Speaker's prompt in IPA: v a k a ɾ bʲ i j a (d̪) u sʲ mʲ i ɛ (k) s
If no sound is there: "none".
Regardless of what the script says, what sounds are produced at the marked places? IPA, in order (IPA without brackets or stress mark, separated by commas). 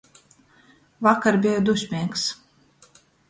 d̪, k